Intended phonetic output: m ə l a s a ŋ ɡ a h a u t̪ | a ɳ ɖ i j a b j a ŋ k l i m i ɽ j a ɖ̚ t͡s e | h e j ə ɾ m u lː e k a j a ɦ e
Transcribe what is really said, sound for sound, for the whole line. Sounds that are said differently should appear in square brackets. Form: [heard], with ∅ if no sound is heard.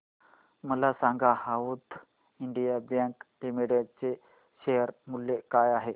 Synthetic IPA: m ə l a s a ŋ ɡ a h a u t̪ | [i] ɳ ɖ i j a b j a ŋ k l i m i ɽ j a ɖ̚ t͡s e | [ɕ] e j ə ɾ m u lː e k a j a ɦ e